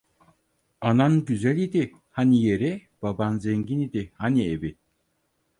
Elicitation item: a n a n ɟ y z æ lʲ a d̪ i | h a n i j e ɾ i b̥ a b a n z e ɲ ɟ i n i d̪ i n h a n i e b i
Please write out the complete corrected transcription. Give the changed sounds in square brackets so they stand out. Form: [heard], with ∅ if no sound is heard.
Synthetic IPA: a n a n ɟ y z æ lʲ [i] d̪ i | h a n i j e ɾ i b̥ a b a n z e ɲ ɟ i n i d̪ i [∅] h a n i e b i

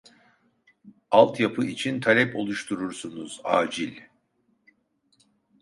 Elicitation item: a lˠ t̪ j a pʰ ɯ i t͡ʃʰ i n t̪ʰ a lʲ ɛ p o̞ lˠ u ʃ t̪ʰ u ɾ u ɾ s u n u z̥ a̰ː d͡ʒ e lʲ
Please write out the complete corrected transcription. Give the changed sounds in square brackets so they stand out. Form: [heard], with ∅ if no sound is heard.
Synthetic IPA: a lˠ t̪ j a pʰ ɯ i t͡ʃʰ i n t̪ʰ a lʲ ɛ p o̞ lˠ u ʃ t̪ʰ u ɾ u ɾ s u n u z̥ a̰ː d͡ʒ [i] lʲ

